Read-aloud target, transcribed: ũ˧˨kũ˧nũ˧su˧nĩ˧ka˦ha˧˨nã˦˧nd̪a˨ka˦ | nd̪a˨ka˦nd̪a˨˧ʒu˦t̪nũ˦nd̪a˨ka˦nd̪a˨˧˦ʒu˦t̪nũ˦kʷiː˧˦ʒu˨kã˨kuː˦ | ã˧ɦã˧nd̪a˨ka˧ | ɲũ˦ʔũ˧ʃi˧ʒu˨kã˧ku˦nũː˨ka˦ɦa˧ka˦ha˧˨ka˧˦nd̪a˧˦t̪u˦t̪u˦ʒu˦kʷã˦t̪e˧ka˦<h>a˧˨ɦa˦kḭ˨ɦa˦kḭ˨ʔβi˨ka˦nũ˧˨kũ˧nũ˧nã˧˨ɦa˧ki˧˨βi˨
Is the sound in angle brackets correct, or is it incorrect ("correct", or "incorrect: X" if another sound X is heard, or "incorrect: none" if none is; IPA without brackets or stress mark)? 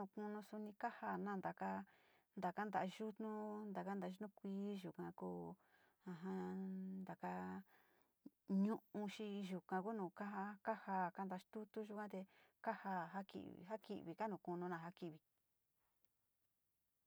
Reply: correct